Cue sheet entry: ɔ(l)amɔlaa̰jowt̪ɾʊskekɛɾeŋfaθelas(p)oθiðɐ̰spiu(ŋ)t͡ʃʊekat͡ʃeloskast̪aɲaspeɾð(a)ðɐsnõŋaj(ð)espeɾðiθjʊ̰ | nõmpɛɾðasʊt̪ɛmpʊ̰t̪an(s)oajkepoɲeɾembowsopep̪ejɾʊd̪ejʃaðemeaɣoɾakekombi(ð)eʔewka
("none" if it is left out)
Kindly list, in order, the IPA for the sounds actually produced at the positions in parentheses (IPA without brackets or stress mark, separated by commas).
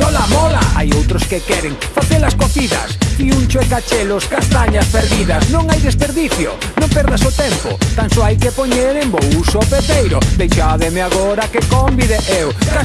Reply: l, k, n, i, ð, s, ð